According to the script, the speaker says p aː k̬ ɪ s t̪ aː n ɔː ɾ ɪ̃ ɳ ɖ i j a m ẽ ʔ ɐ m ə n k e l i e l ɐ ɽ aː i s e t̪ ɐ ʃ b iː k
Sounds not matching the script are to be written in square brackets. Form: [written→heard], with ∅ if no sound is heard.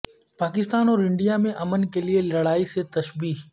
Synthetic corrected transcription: p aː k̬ ɪ s t̪ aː n ɔː ɾ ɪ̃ ɳ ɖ i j a m ẽ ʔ ɐ m ə n k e l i e l ɐ ɽ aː i s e t̪ ɐ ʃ b iː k